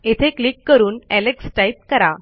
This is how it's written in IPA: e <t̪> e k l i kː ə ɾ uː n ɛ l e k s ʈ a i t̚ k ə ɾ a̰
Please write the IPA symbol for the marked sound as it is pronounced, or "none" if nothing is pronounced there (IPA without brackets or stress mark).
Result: t̪ʰ